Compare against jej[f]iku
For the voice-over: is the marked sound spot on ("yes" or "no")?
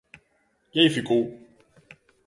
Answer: yes